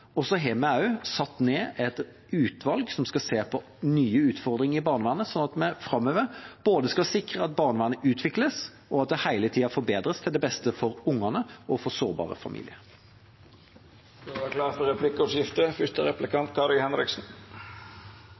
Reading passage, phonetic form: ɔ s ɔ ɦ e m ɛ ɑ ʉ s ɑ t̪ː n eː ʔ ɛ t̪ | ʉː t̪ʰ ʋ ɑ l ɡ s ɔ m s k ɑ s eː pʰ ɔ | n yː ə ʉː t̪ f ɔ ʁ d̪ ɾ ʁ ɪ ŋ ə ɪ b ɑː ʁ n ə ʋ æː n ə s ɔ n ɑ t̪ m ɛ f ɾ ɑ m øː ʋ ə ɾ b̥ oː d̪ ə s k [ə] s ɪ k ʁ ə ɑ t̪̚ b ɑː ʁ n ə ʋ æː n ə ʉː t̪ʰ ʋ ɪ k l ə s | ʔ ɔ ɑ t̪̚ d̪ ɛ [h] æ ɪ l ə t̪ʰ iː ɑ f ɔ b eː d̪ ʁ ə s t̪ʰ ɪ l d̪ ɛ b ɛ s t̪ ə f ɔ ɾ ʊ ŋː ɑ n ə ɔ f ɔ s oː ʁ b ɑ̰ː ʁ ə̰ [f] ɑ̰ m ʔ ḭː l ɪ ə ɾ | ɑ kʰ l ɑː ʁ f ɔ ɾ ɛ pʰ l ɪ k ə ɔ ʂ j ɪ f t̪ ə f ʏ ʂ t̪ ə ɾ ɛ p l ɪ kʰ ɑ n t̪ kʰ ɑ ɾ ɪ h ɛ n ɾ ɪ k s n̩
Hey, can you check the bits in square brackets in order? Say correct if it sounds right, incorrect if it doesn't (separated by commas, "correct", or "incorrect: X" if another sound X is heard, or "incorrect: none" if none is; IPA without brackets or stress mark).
incorrect: ɑ, correct, correct